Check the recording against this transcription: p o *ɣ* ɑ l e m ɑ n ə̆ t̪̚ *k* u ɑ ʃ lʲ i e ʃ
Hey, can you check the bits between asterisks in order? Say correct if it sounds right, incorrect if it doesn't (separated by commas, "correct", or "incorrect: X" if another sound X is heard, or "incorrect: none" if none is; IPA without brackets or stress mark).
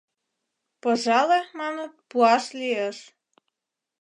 incorrect: ʒ, incorrect: p